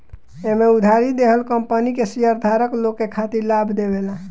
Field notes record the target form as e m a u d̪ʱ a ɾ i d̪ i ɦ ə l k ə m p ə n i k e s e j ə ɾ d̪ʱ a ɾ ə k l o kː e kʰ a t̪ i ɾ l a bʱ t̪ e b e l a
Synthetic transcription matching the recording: e m e u d̪ʱ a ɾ i d̪ e ɦ ə l k ə m p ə n i k e s i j ə ɾ d̪ʱ a ɾ ə k l o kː e kʰ a t̪ i ɾ l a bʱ d̪ e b e l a